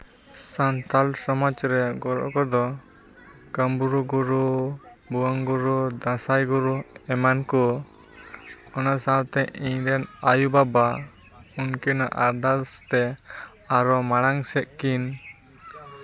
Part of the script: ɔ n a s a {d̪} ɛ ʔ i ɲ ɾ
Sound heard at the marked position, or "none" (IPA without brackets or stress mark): t̪